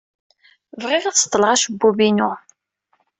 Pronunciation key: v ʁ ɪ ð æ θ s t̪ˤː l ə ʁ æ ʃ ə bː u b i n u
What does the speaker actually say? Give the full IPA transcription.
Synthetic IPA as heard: v ʁ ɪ ʁ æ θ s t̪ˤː l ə ʁ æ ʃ ə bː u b i n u

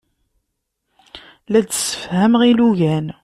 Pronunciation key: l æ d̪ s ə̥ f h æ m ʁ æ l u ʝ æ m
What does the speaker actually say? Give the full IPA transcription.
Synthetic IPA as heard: l æ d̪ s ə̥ f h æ m ʁ i l u ʝ æ n

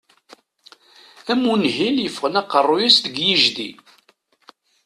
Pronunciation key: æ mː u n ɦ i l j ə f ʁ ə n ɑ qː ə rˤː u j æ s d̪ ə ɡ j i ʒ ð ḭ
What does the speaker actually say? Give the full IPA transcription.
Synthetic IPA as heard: æ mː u n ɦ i l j ə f ʁ ə n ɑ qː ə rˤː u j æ s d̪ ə ɡ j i ʒ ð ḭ

